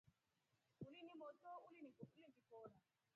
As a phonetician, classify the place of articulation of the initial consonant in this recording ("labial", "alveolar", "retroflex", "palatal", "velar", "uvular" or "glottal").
alveolar